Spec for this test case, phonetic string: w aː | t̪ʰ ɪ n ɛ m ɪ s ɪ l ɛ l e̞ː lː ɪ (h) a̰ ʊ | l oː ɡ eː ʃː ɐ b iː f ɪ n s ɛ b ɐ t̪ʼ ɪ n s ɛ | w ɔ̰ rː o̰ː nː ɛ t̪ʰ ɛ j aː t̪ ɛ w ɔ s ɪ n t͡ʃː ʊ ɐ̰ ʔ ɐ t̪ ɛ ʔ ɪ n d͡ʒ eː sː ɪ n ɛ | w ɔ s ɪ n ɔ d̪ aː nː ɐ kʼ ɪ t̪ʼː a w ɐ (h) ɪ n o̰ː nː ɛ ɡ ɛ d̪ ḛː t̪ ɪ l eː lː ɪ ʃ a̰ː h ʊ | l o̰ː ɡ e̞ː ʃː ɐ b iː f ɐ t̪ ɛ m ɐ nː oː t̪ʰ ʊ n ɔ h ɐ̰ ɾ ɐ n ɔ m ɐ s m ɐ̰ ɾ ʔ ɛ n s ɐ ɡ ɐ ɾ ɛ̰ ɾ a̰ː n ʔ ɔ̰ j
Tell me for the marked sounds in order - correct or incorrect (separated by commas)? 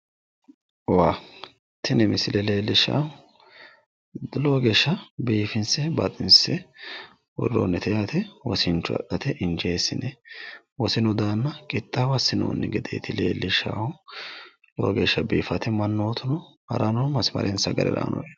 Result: incorrect, incorrect